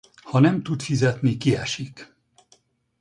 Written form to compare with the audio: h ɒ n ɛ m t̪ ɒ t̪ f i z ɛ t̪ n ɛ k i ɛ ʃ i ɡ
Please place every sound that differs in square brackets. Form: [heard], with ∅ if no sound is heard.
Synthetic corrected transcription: h ɒ n ɛ m t̪ [u] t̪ f i z ɛ t̪ n [i] k i ɛ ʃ i [k]